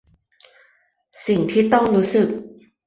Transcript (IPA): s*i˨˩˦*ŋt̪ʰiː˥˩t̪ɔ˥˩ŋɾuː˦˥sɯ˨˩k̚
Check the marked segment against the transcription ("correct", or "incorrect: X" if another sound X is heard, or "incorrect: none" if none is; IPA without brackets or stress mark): incorrect: i˨˩